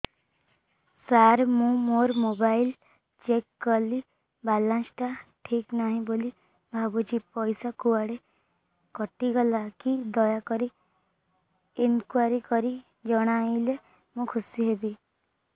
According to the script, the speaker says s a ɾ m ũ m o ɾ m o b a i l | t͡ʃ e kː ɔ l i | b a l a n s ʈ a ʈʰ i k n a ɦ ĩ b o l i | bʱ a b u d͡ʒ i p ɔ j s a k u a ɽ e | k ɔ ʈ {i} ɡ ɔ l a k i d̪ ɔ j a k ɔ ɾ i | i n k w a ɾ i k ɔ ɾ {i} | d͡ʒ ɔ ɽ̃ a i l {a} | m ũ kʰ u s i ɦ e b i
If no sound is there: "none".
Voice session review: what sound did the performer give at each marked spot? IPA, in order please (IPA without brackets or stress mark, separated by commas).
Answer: i, i, e